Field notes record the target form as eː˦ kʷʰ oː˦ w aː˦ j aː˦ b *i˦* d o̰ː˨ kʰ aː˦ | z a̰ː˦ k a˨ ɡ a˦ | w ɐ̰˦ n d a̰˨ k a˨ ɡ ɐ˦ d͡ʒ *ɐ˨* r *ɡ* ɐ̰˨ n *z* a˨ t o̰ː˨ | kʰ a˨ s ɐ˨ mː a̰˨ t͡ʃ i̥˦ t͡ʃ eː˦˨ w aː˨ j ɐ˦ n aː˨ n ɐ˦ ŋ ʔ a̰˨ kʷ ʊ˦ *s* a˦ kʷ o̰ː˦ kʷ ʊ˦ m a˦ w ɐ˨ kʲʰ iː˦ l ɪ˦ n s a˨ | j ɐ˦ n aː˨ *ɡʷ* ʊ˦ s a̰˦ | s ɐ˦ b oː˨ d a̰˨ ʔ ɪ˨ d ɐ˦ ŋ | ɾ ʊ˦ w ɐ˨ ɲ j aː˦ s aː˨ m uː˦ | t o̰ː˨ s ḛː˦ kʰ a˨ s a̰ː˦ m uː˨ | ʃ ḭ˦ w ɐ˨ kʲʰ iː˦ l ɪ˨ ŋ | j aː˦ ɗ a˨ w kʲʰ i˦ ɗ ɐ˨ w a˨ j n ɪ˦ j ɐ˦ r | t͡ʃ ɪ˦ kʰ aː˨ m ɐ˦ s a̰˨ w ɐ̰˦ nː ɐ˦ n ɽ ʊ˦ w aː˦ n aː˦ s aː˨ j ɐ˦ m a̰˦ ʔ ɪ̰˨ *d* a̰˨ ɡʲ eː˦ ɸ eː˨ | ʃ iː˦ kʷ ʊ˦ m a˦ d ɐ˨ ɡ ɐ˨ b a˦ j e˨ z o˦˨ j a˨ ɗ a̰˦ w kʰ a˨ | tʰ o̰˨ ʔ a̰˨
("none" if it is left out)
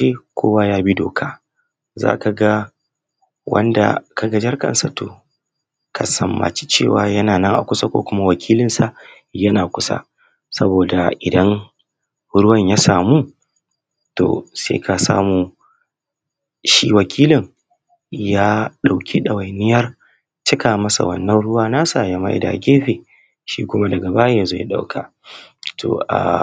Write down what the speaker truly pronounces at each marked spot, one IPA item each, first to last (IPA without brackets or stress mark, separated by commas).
i˦, ɐ˦, k, s, s, kʷ, d